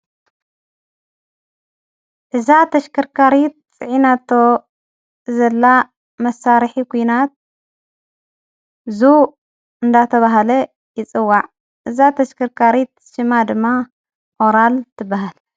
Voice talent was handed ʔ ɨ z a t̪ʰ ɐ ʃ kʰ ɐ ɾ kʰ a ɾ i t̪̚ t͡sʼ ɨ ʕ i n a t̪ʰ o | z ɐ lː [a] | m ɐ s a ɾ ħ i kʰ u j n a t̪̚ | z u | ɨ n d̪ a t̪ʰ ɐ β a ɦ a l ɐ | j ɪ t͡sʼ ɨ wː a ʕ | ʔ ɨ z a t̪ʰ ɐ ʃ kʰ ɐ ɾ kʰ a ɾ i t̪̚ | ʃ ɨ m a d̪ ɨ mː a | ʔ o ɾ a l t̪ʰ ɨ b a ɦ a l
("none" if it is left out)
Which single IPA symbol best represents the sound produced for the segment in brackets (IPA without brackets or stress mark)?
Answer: a